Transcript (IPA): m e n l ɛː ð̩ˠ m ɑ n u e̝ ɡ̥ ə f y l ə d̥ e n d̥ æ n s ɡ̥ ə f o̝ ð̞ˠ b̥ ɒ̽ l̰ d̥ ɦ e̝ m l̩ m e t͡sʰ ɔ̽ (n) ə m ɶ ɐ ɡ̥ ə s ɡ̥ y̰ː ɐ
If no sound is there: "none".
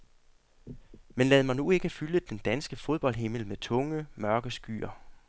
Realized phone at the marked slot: ŋ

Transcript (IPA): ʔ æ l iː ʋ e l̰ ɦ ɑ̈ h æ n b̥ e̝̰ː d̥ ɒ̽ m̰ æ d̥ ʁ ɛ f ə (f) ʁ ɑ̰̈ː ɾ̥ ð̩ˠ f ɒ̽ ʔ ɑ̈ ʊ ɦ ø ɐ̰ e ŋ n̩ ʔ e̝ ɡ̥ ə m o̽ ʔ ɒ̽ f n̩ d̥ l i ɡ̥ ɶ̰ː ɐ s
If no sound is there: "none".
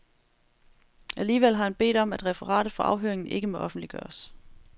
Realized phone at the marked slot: none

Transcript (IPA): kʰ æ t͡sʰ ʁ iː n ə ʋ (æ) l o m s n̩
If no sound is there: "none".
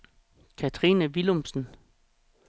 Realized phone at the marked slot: i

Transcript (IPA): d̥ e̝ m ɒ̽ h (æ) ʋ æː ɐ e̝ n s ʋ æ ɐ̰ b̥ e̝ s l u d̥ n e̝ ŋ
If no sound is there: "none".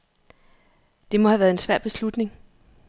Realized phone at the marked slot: æ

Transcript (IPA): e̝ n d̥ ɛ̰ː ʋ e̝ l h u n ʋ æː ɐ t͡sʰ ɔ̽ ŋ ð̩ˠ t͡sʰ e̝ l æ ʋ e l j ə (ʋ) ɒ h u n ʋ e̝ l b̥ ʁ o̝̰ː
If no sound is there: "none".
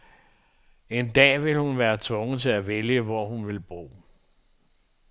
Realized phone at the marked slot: ʋ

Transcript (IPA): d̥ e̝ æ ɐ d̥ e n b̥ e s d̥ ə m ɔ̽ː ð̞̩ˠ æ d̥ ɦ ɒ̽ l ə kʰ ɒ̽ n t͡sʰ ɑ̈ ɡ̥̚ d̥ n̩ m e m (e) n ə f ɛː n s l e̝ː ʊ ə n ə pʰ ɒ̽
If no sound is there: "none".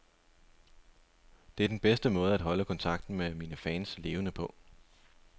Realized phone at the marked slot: i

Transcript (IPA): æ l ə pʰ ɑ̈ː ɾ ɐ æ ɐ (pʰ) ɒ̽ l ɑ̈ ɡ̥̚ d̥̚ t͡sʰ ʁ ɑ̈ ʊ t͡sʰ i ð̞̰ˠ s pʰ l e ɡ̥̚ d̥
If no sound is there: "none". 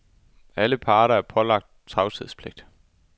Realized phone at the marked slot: pʰ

